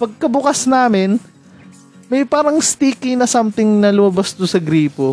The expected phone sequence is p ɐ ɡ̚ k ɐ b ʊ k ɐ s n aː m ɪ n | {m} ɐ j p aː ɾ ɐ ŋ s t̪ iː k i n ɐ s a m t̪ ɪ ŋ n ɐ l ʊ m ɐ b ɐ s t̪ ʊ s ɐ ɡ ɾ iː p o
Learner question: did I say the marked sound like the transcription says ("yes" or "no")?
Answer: yes